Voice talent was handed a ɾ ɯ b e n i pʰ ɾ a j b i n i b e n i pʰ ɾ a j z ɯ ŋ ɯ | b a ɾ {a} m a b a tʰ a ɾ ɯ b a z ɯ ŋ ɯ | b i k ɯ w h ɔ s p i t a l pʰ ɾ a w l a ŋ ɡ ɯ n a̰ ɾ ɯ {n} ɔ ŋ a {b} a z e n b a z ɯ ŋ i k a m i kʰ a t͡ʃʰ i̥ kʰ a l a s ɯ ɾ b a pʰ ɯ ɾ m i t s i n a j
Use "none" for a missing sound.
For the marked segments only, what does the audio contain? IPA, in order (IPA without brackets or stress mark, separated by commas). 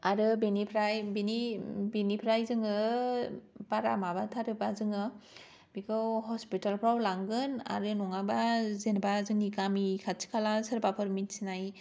a, n, b